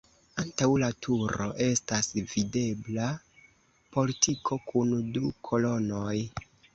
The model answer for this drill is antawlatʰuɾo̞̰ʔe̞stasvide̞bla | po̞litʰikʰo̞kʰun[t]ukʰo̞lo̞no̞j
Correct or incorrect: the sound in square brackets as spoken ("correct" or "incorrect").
incorrect